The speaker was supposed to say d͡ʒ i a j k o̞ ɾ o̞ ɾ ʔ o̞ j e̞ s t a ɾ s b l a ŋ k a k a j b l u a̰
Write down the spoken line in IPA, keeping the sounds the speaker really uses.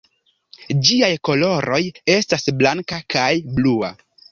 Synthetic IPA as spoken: d͡ʒ i a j k o̞ l o̞ ɾ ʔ o̞ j e̞ s t a s b l a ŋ k a k a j b l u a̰